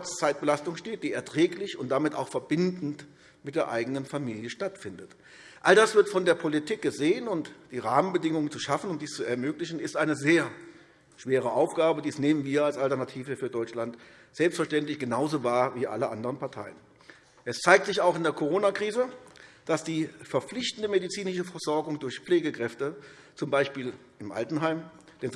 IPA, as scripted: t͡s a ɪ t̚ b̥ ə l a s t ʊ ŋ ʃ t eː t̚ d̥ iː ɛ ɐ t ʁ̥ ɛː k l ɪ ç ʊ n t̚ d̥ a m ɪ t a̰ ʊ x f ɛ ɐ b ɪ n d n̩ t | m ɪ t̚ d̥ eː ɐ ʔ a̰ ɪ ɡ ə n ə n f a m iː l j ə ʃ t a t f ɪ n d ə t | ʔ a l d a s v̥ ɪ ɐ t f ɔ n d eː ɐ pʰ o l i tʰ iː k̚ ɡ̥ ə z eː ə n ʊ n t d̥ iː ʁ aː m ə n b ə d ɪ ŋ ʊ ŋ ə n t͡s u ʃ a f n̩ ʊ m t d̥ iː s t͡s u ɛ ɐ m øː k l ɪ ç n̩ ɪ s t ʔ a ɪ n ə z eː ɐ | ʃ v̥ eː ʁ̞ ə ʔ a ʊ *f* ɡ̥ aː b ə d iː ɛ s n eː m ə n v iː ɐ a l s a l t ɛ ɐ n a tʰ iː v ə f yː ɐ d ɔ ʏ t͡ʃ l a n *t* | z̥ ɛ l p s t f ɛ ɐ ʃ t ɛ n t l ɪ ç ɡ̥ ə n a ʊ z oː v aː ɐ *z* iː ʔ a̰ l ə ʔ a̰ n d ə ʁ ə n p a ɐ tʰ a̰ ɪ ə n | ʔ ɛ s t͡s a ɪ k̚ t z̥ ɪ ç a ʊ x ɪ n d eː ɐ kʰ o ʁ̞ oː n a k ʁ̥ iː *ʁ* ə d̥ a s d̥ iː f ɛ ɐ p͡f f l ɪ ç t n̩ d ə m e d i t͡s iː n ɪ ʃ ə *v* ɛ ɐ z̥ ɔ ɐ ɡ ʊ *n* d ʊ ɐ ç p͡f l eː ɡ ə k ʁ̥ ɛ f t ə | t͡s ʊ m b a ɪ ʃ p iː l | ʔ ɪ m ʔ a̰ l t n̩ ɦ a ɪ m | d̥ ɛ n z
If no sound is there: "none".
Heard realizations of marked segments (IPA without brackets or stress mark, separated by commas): f, t, v, z, f, ŋ